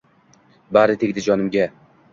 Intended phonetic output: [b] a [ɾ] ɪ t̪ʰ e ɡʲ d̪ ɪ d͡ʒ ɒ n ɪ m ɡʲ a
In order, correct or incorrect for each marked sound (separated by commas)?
correct, correct